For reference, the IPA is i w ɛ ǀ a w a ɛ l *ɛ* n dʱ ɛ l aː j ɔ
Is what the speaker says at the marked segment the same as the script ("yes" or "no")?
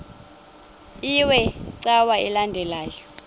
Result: no